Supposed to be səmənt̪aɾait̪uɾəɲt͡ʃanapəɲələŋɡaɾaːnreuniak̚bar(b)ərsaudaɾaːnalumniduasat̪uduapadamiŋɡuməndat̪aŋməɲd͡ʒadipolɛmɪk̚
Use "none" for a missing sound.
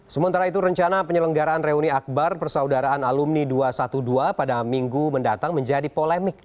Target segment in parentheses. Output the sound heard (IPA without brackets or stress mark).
p